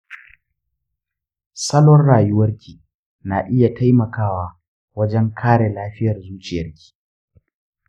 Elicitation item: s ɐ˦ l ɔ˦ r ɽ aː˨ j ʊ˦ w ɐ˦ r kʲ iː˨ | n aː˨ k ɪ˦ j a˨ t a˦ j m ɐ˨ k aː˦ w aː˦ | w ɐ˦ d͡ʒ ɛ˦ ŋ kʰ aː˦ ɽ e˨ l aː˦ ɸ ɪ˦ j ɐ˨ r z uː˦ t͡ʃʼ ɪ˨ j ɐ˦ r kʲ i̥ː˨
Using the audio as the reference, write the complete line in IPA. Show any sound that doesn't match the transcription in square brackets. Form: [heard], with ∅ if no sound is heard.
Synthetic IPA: s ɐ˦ l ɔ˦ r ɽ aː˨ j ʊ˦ w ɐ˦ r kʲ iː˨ | n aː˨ [ʔ] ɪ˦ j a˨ t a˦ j m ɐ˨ k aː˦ w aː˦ | w ɐ˦ d͡ʒ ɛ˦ ŋ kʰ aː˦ ɽ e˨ l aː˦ ɸ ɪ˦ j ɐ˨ r z uː˦ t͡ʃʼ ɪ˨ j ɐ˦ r kʲ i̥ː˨